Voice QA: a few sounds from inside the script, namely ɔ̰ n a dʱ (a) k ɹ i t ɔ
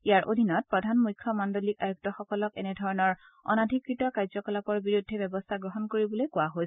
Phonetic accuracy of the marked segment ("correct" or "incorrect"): incorrect